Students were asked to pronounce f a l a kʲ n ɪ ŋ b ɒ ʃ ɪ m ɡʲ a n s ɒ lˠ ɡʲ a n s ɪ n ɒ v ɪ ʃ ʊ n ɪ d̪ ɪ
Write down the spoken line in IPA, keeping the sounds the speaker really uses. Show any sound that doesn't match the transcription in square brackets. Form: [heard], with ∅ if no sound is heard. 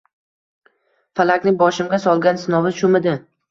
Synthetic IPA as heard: f a l a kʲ n ɪ ŋ b ɒ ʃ ɪ m ɡʲ a [∅] s ɒ lˠ ɡʲ a n s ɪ n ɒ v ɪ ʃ ʊ [m] ɪ d̪ ɪ

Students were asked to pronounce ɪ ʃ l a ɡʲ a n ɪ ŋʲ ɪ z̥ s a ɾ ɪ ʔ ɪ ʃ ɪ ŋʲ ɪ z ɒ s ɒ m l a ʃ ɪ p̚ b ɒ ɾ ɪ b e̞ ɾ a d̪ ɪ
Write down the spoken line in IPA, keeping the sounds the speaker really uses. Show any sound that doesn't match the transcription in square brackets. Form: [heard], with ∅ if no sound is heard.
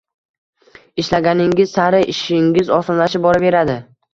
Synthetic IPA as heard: ɪ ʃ l a ɡʲ a n ɪ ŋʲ ɪ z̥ s a ɾ ɪ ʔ ɪ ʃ ɪ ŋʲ ɪ z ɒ s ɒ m l a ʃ ɪ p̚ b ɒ ɾ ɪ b e̞ ɾ a d̪ ɪ

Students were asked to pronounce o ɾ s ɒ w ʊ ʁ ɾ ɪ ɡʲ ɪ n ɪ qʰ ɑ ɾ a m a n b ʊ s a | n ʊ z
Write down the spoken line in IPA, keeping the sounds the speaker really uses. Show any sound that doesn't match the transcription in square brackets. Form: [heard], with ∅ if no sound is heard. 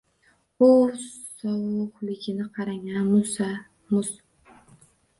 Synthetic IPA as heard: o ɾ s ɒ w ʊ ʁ [l] ɪ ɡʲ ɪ n ɪ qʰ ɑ ɾ a [ŋ] a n [m] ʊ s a | [m] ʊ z

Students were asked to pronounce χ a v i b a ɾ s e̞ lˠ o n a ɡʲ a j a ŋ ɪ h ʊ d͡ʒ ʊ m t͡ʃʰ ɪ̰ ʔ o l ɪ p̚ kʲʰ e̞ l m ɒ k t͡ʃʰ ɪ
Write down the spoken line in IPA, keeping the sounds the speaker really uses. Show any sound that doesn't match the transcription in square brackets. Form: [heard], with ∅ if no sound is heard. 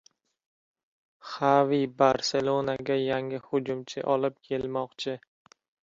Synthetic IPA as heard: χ a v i b a ɾ s e̞ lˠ o n a ɡʲ a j a ŋ ɪ h ʊ d͡ʒ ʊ m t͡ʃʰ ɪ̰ ʔ [ɒ] l ɪ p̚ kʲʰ e̞ l m ɒ [q] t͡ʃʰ ɪ

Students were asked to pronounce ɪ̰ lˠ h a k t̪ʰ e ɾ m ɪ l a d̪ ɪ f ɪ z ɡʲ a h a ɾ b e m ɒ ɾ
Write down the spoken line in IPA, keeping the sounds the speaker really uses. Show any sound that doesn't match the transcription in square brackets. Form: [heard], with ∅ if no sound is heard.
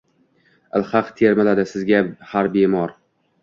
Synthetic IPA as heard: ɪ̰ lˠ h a [q] t̪ʰ e ɾ m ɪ l a d̪ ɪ [s] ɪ z ɡʲ a h a ɾ b e m ɒ ɾ

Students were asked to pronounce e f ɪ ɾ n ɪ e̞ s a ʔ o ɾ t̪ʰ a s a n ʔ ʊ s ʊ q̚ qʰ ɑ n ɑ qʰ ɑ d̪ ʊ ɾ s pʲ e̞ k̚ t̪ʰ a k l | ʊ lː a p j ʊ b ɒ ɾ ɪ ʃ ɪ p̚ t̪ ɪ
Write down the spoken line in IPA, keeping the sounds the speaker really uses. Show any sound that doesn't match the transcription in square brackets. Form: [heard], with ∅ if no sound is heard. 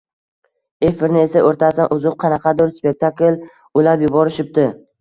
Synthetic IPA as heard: e f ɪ ɾ n ɪ e̞ s a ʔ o ɾ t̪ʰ a s a n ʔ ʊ [z] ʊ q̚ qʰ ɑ n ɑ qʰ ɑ d̪ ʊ ɾ s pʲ e̞ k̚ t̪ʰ a k l | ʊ [l] a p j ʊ b ɒ ɾ ɪ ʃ ɪ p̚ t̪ ɪ

